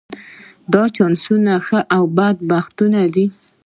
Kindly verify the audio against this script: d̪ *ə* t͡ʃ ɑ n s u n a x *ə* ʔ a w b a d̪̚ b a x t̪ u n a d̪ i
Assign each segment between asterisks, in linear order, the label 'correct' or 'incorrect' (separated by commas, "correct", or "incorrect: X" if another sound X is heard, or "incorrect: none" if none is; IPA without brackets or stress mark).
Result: incorrect: ɑ, correct